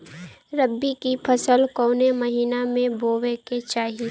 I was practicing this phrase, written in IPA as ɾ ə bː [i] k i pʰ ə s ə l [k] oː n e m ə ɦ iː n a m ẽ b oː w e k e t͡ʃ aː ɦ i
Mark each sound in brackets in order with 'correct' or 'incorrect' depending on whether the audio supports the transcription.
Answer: correct, correct

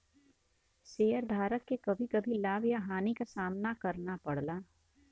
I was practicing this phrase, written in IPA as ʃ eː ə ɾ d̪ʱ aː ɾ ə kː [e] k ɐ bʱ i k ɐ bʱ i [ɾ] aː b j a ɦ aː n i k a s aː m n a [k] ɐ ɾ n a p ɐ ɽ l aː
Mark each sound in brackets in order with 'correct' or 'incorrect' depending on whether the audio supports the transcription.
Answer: correct, incorrect, correct

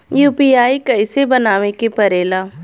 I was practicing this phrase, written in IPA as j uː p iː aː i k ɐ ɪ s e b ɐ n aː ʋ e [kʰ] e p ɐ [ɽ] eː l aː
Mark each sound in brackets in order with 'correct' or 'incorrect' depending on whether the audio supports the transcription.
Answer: incorrect, incorrect

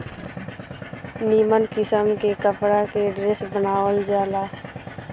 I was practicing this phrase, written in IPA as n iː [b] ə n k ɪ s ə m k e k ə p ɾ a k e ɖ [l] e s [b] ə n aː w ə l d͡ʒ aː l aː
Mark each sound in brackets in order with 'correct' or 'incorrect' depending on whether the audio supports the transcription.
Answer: incorrect, incorrect, correct

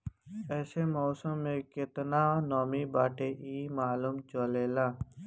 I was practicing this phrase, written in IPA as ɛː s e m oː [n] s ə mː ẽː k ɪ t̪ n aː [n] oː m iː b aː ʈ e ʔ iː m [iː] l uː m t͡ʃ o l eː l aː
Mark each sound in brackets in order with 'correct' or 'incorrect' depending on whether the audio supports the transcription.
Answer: incorrect, correct, incorrect

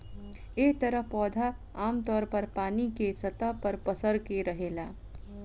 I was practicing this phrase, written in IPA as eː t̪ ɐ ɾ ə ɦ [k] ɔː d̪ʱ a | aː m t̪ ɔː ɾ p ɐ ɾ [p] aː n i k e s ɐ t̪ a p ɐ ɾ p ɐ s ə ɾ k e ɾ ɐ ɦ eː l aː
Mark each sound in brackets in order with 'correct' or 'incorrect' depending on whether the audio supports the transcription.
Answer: incorrect, correct

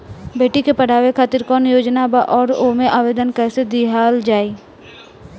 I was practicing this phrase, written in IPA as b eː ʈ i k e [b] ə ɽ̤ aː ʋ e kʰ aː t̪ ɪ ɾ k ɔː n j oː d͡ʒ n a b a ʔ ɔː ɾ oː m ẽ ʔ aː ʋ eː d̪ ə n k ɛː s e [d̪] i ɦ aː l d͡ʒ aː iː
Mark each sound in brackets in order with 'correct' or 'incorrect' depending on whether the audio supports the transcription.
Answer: incorrect, correct

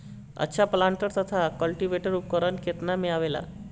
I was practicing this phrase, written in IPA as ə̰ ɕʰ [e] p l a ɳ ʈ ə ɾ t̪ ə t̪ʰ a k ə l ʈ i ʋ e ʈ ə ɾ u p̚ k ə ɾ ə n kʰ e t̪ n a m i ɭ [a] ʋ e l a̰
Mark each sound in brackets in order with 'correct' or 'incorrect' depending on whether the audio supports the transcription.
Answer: incorrect, correct

